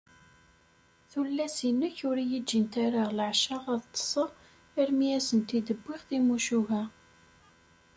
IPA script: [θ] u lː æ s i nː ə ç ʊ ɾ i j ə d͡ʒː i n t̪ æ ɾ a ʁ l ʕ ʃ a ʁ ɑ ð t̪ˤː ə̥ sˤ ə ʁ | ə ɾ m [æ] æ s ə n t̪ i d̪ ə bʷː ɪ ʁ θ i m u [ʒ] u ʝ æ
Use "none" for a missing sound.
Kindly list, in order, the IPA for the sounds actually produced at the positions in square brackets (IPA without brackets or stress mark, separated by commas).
θ, i, ʃ